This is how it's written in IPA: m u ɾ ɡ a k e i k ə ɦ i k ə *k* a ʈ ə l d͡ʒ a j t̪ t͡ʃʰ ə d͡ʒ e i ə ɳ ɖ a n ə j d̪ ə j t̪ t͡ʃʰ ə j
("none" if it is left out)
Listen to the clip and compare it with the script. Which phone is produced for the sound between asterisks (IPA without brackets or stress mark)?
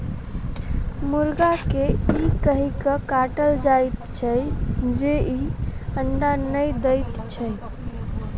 k